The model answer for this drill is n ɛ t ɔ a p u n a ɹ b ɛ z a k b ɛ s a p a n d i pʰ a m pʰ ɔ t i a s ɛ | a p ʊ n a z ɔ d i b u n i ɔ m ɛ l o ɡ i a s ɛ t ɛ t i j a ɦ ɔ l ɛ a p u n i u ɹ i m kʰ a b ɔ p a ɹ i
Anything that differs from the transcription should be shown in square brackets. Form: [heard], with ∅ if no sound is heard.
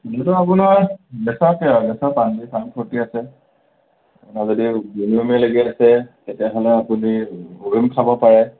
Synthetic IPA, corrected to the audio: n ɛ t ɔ a p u n a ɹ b ɛ [s] a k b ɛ s a p a n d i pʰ a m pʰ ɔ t i a s ɛ | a p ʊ n a z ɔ d i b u n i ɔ m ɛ l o ɡ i a s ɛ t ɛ t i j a ɦ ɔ l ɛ a p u n i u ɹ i m kʰ a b ɔ p a ɹ [ɛ]